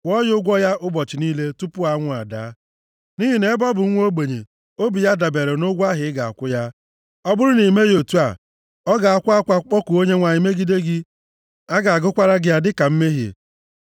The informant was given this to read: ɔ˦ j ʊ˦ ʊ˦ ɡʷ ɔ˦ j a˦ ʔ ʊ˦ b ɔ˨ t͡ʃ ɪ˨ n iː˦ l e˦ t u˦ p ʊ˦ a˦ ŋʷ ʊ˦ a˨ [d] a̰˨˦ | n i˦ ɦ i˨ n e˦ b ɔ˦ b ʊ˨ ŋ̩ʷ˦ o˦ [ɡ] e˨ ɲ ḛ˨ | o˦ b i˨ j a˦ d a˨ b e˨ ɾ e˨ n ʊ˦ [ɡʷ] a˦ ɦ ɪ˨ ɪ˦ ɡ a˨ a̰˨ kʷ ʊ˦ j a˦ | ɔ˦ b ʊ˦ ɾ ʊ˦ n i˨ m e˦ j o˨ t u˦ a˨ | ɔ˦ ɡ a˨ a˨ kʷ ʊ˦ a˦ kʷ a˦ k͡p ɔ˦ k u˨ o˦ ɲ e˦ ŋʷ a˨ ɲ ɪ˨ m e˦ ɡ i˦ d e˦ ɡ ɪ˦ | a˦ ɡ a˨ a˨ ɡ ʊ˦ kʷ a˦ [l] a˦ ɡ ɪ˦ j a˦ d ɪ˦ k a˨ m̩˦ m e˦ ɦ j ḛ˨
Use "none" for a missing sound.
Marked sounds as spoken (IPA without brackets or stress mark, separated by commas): d, ɡ͡b, ɡʷ, ɾ